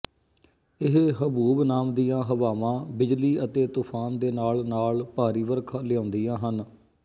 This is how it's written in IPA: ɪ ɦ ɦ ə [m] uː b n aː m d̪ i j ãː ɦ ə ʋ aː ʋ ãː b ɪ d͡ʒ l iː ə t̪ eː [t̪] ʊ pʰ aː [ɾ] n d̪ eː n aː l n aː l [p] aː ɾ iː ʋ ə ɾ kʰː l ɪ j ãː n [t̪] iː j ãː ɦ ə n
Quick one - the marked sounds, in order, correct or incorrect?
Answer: incorrect, correct, incorrect, correct, incorrect

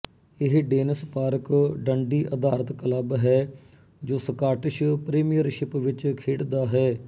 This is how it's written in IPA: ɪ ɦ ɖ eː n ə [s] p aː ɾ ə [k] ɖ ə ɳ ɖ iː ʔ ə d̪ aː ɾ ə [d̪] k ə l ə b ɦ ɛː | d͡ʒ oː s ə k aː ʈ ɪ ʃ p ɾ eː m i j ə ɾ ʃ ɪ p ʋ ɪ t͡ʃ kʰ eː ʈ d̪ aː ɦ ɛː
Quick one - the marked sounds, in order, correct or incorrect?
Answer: correct, correct, incorrect

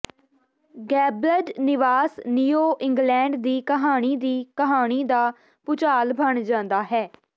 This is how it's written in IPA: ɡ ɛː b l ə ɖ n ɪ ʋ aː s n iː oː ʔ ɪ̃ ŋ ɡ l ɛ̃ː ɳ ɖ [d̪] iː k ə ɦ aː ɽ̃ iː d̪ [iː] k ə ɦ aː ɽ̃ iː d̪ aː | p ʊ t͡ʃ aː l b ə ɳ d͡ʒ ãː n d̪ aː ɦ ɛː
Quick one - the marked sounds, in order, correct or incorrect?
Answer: correct, correct

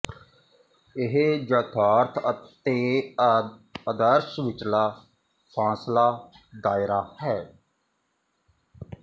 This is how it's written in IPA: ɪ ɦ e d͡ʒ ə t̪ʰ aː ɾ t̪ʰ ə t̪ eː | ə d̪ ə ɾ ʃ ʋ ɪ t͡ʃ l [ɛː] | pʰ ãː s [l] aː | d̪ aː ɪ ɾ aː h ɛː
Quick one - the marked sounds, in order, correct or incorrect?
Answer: incorrect, correct

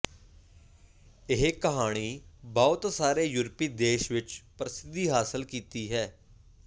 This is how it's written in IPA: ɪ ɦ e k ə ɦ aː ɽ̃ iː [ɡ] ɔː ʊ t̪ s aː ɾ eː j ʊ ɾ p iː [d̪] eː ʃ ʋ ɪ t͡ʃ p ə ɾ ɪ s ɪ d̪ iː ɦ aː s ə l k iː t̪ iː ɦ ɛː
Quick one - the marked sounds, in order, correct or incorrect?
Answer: incorrect, correct

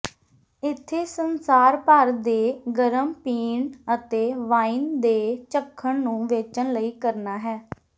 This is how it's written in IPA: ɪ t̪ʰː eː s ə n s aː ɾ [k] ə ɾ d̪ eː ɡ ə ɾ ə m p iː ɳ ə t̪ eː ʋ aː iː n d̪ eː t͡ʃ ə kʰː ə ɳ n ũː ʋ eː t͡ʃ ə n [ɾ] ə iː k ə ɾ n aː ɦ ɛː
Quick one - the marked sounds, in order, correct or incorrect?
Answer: incorrect, incorrect

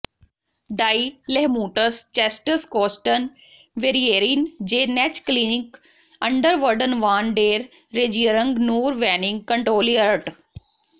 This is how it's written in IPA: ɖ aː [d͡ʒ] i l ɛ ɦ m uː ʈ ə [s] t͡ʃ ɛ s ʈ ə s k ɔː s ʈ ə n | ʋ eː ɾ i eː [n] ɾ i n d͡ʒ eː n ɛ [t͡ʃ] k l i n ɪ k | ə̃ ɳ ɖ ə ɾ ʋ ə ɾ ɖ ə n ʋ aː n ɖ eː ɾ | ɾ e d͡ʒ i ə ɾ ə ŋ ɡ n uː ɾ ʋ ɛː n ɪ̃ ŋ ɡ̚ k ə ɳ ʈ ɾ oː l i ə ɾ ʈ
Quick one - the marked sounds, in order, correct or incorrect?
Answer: incorrect, correct, incorrect, correct

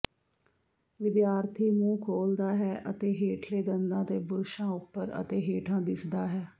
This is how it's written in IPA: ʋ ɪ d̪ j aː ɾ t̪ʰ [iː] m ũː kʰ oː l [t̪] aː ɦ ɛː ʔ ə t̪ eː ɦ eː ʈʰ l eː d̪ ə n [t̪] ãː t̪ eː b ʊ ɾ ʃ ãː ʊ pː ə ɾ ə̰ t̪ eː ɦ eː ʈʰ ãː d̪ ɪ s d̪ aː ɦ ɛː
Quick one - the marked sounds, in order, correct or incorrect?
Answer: correct, incorrect, incorrect

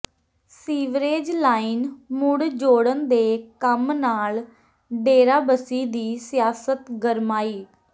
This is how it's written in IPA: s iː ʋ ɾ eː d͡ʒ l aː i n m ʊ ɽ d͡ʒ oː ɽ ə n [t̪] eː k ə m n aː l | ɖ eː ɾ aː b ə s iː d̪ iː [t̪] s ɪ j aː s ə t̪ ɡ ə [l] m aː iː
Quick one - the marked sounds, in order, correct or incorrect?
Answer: incorrect, incorrect, incorrect

